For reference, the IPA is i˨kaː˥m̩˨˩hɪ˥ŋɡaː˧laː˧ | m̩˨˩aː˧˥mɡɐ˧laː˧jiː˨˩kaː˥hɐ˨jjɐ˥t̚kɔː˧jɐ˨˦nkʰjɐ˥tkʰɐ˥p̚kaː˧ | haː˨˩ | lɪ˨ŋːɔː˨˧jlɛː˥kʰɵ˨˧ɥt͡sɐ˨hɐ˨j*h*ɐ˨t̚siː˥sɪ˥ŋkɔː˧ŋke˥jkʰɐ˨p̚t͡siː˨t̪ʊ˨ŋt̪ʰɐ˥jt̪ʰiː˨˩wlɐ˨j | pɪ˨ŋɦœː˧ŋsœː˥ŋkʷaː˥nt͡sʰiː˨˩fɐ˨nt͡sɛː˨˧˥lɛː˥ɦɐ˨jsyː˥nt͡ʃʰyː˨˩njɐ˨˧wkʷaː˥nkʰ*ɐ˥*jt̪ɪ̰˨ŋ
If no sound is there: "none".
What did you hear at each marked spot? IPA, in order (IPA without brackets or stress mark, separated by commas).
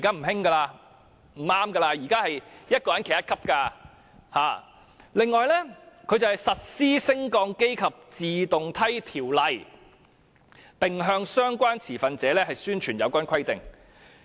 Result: s, ɐ˥